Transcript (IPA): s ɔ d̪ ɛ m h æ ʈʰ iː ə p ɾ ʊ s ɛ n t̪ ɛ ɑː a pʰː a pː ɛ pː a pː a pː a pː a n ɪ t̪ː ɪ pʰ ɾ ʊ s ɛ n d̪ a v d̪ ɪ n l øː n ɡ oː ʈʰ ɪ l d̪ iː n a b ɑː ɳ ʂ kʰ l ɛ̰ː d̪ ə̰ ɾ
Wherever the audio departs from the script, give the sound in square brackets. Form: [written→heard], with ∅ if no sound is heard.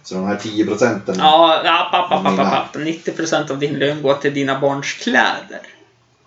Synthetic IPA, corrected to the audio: s ɔ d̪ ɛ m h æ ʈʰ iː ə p ɾ ʊ s ɛ n t̪ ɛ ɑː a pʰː a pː [ɛ→a] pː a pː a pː a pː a n ɪ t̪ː ɪ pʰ ɾ ʊ s ɛ n [d̪→t̪] a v d̪ ɪ n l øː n ɡ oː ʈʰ ɪ l d̪ iː n a b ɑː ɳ ʂ kʰ l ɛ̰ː d̪ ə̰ ɾ